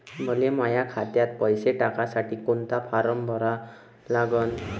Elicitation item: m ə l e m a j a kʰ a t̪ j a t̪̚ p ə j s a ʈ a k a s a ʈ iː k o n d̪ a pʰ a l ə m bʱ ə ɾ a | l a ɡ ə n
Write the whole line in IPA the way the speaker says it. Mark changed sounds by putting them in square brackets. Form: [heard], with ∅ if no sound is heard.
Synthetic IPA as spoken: m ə l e m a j a kʰ a t̪ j a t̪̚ p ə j s [e] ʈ a k a s a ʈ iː k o n [t̪] a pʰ a [ɾ] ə m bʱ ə ɾ a | l a ɡ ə n